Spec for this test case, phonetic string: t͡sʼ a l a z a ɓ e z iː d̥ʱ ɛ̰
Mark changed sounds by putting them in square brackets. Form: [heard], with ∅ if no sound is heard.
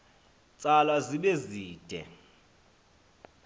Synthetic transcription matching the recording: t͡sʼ a l a z [i] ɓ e z iː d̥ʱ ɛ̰